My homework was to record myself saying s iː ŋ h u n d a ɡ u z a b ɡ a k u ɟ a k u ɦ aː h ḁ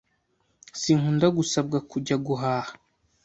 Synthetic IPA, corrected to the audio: s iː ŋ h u n d a ɡ u s a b ɡ a k u ɟ a ɡ u ɦ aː h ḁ

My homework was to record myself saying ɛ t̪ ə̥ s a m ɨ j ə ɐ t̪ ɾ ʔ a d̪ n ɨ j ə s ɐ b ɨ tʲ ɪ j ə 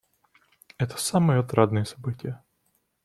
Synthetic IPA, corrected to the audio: ɛ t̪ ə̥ s a m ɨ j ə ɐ t̪ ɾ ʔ a d̪ n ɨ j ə s ɐ b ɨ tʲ ɪ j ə

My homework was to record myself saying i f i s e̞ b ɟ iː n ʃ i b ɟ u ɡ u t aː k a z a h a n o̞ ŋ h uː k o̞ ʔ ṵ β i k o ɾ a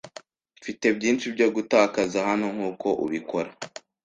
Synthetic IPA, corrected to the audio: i f i t e̞ b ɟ iː n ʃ i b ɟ o ɡ u t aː k a z a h a n o̞ ŋ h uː k o̞ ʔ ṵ β i k o ɾ a

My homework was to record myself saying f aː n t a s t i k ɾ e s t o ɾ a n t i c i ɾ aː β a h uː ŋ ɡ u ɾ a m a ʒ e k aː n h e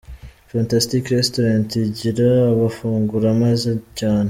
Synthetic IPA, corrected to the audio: f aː n t a s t i k ɾ e s t o ɾ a n t i ɟ i ɾ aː β a f uː ŋ ɡ u ɾ a m a z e c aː n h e

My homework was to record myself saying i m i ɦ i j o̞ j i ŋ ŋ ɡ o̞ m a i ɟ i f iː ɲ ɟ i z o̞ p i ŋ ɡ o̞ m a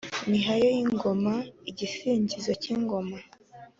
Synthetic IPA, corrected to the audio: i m i ɦ a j o̞ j i ŋ ŋ ɡ o̞ m a i ɟ i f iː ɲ ɟ i z o̞ c i ŋ ɡ o̞ m a

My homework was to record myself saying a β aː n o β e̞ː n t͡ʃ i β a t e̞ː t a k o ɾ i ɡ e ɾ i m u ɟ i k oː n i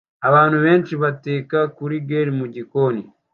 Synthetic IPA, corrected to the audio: a β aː n u β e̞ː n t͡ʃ i β a t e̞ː k a k u ɾ i ɡ e ɾ i m u ɟ i k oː n i

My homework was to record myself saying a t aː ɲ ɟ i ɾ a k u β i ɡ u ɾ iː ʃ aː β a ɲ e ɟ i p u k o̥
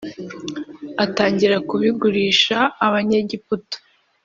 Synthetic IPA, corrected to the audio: a t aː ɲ ɟ i ɾ a k u β i ɡ u ɾ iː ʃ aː β a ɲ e ɟ i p u t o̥

